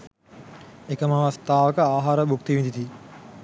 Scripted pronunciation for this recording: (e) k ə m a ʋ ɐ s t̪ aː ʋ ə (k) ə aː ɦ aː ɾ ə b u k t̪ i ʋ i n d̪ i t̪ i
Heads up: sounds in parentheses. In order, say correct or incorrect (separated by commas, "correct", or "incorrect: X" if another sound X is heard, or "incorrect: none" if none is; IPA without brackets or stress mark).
correct, correct